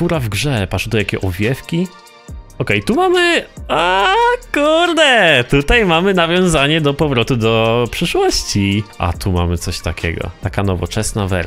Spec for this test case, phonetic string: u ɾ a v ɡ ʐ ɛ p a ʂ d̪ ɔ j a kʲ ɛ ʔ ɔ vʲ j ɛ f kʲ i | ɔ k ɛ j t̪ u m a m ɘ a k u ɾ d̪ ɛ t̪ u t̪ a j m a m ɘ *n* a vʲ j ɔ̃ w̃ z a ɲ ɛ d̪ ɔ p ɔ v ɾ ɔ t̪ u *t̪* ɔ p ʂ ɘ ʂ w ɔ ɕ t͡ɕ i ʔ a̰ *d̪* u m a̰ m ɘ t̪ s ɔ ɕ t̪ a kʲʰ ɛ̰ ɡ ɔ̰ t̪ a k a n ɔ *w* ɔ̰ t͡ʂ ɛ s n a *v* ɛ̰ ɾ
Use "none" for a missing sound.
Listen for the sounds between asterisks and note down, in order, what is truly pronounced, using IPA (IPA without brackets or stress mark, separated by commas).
n, d̪, t̪, v, v